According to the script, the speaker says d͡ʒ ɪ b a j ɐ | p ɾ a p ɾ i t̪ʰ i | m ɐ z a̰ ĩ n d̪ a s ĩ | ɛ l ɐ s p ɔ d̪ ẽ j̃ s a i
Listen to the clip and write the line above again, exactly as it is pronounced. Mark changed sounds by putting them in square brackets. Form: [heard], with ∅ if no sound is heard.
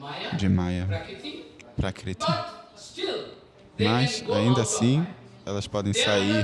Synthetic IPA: d͡ʒ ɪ [m] a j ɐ | p ɾ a [k] ɾ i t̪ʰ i | m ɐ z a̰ ĩ n d̪ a s ĩ | ɛ l ɐ s p ɔ d̪ ẽ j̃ s a i